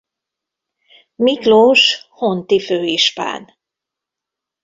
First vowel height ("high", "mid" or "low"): high